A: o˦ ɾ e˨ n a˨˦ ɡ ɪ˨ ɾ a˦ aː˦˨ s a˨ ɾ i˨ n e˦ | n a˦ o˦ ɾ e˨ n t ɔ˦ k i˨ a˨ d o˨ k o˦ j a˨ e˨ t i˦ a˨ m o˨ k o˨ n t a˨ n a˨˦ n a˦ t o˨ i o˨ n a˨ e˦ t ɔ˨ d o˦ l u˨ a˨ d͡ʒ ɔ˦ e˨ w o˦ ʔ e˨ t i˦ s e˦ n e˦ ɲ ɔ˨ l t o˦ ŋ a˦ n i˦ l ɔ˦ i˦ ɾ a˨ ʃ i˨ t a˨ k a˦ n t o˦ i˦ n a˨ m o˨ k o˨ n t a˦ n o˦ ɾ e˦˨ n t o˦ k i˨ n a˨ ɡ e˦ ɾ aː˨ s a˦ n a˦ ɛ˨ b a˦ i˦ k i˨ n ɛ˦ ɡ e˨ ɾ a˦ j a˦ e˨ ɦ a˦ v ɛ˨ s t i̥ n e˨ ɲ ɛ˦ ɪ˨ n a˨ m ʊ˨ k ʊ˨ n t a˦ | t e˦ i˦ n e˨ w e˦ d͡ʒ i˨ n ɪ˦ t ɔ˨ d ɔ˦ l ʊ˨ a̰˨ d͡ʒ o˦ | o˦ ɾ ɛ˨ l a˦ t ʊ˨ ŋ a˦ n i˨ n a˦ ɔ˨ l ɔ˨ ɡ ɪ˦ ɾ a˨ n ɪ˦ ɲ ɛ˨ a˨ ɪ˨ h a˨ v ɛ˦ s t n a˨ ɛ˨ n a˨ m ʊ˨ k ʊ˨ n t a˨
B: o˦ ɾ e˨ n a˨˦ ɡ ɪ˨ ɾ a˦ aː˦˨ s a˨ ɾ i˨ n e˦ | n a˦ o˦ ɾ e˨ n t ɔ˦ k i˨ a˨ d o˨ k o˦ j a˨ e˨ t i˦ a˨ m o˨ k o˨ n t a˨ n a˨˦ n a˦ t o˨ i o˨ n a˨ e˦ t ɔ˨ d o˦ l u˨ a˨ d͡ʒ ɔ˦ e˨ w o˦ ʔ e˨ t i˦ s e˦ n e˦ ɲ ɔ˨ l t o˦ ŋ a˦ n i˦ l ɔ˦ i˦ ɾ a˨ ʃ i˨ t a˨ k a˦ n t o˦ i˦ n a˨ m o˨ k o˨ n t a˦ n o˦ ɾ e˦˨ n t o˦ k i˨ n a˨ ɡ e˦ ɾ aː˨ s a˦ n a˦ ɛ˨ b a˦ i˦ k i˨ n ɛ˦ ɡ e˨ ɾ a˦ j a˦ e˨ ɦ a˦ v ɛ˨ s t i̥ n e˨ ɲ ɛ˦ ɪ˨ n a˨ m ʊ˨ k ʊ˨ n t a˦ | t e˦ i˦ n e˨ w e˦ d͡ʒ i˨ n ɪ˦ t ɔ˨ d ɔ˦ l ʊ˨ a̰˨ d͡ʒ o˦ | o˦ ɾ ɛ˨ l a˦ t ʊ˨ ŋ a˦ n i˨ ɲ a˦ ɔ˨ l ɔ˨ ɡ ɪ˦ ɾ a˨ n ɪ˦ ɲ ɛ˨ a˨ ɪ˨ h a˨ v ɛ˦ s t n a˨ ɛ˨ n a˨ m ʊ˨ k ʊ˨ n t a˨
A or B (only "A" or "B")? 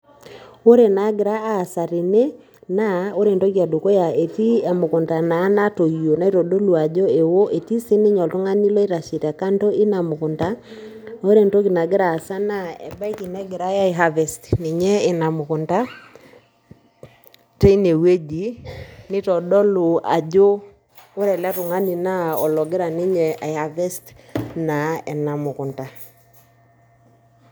A